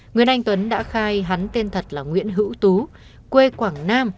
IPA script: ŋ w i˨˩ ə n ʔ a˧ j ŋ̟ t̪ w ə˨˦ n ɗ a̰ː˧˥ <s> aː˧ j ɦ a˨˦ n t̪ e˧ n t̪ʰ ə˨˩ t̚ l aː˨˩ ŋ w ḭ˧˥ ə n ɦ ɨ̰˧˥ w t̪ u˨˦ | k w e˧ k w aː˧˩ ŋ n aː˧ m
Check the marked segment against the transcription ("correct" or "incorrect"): incorrect